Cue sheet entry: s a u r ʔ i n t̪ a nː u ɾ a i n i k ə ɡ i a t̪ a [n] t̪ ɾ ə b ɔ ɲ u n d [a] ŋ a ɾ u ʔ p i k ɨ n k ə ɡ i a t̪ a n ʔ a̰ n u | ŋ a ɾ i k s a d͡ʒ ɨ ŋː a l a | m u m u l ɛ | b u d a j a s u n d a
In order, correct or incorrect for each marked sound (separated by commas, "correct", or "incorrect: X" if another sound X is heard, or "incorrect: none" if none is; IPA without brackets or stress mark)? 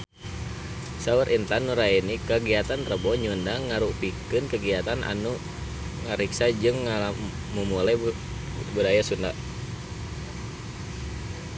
correct, correct